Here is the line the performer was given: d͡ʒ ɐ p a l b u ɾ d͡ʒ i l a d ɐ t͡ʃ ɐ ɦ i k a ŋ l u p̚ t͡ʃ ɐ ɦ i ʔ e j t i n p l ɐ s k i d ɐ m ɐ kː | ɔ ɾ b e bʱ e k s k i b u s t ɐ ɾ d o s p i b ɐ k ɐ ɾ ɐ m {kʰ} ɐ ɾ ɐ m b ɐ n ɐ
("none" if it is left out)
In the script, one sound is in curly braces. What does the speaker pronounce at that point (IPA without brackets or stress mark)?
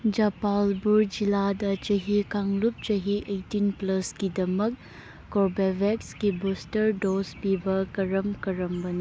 k